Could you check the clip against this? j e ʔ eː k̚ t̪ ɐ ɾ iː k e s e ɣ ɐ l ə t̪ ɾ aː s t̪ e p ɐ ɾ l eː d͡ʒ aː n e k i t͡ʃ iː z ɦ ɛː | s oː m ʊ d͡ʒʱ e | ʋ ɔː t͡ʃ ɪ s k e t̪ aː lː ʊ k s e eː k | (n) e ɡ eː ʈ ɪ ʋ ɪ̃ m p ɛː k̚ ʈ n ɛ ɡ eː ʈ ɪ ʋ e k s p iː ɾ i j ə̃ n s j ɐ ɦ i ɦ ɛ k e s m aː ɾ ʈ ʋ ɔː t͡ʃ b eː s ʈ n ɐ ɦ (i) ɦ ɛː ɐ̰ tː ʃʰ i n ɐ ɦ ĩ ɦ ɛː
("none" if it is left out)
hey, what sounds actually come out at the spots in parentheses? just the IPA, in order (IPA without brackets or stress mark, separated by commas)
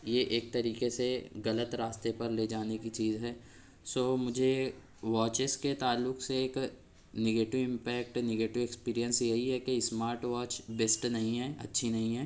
n, ĩ